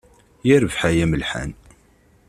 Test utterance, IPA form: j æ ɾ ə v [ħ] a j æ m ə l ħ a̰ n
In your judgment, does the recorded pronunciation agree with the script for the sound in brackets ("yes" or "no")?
yes